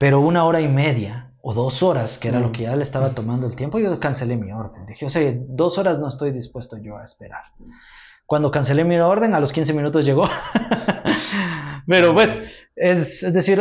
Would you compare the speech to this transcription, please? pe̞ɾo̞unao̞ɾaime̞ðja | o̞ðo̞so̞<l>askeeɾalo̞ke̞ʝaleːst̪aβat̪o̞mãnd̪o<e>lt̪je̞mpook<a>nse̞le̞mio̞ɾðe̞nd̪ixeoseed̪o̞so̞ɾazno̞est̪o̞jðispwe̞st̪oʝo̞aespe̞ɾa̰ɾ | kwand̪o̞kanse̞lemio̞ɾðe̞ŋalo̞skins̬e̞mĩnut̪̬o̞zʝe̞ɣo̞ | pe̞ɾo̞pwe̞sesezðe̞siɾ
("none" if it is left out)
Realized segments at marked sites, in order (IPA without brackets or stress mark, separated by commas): ɾ, e, a